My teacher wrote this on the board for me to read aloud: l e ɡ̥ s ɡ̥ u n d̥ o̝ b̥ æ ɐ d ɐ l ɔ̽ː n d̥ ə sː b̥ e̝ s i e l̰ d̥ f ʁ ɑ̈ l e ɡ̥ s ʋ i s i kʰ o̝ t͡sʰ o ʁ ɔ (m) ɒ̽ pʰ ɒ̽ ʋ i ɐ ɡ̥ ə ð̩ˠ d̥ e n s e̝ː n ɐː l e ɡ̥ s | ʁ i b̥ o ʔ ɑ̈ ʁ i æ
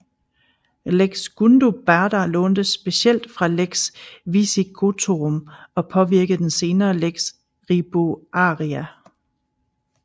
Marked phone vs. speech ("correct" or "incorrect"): correct